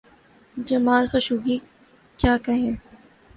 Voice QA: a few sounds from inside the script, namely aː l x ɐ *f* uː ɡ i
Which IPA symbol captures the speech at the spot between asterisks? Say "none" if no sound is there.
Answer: ʃ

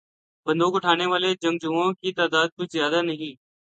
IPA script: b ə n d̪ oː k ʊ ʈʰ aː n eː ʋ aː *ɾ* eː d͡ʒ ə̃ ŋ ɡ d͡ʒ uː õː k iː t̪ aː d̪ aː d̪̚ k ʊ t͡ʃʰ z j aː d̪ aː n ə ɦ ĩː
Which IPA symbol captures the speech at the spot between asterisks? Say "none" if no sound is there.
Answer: l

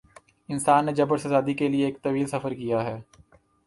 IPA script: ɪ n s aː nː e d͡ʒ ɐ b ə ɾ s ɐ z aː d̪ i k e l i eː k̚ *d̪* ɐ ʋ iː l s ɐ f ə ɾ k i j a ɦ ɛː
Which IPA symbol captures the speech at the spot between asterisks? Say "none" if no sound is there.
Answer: t̪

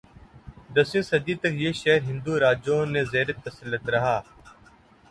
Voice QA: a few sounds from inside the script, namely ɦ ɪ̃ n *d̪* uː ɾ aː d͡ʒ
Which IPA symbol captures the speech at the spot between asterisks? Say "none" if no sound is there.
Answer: d̪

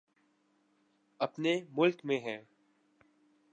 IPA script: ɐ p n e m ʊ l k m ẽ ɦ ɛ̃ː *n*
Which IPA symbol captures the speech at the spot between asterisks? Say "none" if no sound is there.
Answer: none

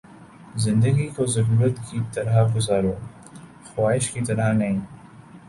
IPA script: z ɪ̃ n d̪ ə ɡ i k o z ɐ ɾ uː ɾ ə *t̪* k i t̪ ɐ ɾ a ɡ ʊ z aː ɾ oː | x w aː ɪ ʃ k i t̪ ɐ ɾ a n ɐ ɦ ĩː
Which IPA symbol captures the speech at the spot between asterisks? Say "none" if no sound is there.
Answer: t̪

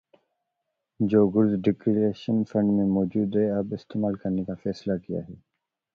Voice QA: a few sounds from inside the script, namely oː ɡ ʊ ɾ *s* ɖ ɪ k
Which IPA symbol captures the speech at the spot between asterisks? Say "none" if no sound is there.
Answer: z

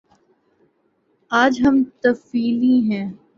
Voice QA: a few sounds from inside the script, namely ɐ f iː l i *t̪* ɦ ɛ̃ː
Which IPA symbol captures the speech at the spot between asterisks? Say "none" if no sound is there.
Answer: none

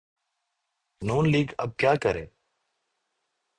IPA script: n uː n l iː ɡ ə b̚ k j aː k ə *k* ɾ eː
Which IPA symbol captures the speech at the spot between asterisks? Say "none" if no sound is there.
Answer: none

